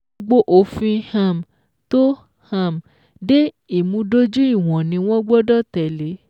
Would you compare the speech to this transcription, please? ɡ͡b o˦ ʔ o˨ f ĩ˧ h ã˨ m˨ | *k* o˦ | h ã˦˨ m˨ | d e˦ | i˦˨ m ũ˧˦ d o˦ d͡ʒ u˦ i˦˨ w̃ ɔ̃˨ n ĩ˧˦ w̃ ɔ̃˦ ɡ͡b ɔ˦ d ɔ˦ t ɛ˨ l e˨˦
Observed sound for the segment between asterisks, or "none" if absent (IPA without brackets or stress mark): t